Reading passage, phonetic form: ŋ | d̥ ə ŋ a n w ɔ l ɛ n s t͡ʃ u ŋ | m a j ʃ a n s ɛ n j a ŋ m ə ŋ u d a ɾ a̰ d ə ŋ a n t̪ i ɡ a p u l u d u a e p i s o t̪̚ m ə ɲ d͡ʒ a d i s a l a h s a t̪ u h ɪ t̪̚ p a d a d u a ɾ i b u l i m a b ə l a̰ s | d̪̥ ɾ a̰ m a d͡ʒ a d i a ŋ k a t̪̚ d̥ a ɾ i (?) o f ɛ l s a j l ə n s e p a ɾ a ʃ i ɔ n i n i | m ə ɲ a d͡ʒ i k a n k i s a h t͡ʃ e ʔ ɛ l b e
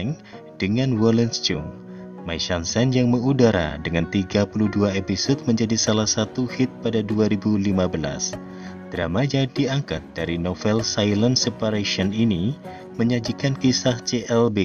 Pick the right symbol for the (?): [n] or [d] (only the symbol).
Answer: n